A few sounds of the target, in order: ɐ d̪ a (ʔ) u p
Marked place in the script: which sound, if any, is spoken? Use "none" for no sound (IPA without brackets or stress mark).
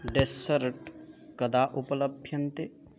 ʔ